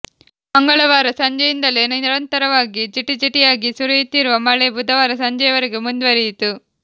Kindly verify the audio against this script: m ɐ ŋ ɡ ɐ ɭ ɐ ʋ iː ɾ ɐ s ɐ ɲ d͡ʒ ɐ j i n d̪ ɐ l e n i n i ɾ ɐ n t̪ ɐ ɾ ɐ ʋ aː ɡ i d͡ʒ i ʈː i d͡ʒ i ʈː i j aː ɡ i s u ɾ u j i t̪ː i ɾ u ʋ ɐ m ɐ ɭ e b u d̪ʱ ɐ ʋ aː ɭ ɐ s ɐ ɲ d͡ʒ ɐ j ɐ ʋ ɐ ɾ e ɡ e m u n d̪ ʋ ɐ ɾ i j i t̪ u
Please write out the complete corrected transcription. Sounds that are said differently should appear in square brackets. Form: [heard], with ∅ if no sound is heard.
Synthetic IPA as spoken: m ɐ ŋ ɡ ɐ ɭ ɐ ʋ [aː] ɾ ɐ s ɐ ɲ d͡ʒ ɐ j i n d̪ ɐ l e n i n i ɾ ɐ n t̪ ɐ ɾ ɐ ʋ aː ɡ i d͡ʒ i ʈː i d͡ʒ i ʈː i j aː ɡ i s u ɾ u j i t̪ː i ɾ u ʋ ɐ m ɐ ɭ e b u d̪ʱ ɐ ʋ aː [ɾ] ɐ s ɐ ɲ d͡ʒ ɐ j ɐ ʋ ɐ ɾ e ɡ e m u n d̪ ʋ ɐ ɾ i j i t̪ u